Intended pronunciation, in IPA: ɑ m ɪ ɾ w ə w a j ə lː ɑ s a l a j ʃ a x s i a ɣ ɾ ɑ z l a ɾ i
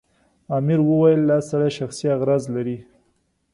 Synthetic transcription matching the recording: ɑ m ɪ ɾ w ə w a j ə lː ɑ s a ɽ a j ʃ a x s i a ɣ ɾ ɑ z l a ɾ i